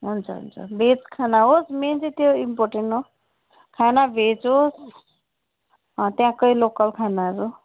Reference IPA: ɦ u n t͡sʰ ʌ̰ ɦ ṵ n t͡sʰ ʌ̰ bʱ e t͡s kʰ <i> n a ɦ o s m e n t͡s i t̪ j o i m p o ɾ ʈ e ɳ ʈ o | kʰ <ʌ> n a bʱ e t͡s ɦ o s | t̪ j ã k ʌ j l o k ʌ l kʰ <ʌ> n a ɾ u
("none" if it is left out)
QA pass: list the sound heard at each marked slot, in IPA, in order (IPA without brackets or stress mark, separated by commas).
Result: a, a, a